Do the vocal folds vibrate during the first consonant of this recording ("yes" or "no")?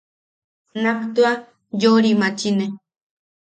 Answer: yes